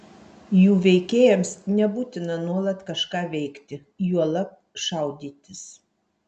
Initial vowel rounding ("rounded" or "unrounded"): rounded